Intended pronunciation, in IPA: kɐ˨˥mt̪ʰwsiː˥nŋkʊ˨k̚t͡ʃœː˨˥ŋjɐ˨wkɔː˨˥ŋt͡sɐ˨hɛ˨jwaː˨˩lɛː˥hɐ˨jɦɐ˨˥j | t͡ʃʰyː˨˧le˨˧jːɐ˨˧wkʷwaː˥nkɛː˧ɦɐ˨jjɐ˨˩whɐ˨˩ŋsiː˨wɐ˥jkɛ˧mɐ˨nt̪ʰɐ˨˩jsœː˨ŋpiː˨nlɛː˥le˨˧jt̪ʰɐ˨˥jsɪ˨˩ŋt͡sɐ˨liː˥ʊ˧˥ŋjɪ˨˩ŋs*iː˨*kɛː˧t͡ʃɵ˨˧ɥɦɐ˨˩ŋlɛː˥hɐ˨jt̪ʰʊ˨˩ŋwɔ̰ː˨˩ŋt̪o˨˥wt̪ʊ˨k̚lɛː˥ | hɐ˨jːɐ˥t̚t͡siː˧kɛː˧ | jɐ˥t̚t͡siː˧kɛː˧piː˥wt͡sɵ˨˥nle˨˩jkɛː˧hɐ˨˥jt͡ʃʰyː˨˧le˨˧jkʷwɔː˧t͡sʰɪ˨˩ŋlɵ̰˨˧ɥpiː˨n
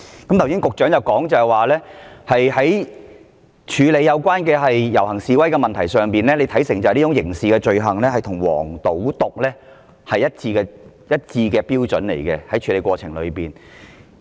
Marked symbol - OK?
yes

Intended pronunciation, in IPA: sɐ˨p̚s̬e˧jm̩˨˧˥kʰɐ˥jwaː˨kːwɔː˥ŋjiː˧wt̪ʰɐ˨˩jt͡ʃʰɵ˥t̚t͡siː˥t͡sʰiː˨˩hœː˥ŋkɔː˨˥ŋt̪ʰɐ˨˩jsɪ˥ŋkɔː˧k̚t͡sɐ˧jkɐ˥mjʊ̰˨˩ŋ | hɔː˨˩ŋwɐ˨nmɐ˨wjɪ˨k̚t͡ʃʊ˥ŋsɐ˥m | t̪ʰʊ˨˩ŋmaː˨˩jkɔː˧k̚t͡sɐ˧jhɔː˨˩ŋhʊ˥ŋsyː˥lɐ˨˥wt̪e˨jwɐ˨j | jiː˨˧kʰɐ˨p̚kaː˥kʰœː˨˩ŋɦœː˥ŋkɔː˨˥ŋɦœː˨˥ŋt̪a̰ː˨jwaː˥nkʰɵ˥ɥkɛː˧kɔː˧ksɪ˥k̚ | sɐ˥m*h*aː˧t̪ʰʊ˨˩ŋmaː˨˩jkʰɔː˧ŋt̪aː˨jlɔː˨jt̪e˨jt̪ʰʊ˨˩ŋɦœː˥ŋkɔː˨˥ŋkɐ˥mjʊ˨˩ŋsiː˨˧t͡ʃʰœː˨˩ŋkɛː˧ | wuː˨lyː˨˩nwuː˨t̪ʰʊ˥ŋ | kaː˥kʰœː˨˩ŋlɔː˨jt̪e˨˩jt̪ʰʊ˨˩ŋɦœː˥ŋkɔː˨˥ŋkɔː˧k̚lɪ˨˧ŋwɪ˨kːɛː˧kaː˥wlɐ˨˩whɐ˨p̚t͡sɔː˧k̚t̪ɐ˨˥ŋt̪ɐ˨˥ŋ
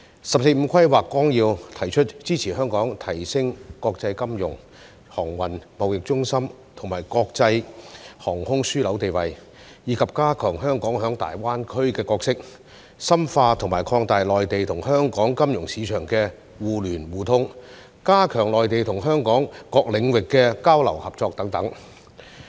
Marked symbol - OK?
no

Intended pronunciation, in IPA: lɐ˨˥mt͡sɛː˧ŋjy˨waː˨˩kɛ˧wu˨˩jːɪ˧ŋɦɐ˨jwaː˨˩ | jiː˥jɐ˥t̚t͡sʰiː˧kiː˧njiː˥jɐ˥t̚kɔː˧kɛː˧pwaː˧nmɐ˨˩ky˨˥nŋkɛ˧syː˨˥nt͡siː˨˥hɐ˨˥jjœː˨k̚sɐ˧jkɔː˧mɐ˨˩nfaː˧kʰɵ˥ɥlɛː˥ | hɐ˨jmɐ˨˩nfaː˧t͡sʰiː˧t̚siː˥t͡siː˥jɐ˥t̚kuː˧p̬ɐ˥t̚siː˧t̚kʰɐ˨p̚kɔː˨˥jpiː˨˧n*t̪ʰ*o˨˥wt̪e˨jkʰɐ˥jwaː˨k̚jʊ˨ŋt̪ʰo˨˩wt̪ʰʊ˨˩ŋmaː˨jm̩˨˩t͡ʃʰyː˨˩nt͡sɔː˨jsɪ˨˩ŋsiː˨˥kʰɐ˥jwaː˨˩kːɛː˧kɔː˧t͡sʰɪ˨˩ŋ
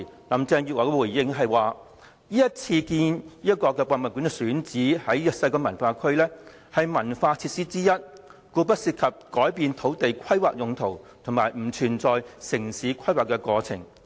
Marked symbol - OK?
yes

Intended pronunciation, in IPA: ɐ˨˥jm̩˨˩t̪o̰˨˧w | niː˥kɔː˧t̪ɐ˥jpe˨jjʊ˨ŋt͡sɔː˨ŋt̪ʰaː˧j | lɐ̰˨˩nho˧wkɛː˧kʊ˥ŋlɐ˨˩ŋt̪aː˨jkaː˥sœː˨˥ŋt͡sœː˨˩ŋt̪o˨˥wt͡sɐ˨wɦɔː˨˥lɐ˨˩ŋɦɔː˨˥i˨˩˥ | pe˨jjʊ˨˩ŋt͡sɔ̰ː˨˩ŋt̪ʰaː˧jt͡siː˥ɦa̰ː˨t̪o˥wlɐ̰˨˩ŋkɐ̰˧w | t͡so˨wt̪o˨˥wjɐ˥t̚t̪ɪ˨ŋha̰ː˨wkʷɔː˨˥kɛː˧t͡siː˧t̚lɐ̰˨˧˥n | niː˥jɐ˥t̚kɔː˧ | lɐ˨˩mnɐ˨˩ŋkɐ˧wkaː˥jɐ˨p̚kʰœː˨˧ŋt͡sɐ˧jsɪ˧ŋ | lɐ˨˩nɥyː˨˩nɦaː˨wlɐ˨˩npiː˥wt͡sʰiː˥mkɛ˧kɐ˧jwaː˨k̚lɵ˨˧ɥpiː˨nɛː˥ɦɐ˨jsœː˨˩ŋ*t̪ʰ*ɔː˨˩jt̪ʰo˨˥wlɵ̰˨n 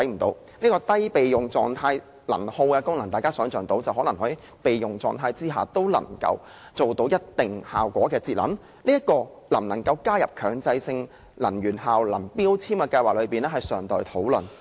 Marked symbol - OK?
no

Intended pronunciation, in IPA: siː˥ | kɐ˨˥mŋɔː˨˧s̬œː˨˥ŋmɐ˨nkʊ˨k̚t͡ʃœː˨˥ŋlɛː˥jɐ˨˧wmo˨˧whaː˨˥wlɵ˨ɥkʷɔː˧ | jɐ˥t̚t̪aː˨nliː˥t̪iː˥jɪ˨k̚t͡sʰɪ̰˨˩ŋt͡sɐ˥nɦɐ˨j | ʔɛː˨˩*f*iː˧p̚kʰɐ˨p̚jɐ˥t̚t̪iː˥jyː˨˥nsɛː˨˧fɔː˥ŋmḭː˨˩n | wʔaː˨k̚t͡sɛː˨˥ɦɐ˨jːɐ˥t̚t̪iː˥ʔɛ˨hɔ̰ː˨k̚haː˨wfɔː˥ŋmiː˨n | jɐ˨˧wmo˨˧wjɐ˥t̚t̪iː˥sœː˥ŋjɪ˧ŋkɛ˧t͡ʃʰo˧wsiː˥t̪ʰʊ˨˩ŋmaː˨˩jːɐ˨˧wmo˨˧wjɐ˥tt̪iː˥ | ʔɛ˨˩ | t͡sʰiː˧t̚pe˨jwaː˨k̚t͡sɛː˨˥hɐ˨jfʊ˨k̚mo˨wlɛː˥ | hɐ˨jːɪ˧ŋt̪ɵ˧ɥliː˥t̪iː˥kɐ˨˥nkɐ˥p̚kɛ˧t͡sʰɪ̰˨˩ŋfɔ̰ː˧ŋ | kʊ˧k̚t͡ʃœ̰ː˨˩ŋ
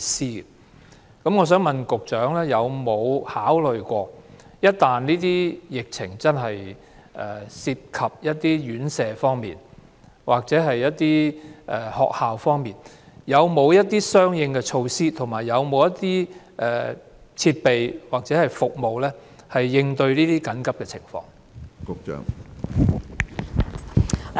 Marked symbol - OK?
no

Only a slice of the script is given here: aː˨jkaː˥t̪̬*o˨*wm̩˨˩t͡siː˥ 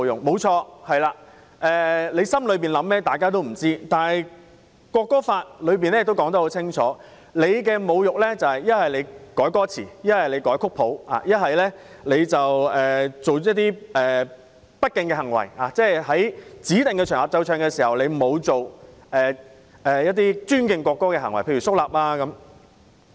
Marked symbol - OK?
no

